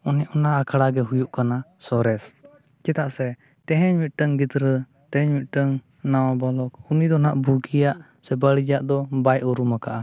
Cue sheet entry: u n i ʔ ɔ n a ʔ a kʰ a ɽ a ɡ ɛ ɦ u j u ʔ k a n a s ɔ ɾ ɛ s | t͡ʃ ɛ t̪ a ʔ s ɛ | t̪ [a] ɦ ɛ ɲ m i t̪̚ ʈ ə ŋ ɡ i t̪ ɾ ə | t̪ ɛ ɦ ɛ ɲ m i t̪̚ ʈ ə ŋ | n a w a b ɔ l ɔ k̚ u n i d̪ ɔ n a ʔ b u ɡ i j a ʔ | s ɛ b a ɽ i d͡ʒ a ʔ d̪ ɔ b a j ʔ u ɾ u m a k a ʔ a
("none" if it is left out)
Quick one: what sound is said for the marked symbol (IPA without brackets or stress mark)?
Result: ɛ